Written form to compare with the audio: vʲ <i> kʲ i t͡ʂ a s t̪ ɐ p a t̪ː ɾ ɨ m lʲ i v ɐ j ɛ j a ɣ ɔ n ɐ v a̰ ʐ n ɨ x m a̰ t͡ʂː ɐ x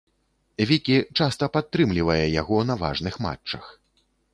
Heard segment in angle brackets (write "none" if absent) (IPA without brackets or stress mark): i